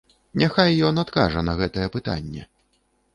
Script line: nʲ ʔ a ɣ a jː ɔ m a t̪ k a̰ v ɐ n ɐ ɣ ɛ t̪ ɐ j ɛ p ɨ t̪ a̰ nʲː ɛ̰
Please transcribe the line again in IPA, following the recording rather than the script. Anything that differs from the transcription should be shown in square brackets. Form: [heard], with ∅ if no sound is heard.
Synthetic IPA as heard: nʲ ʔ a [x] a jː ɔ [n] a t̪ k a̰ [ʐ] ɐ n ɐ ɣ ɛ t̪ ɐ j ɛ p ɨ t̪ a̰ nʲː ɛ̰